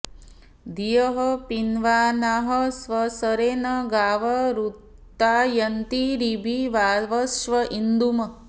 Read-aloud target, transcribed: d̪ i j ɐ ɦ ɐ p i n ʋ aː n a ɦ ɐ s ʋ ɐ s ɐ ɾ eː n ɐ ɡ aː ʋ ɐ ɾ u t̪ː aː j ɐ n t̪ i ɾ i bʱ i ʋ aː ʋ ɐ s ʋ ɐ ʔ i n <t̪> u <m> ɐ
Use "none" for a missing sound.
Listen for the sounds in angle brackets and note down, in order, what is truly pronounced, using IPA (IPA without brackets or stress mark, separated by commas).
d̪, m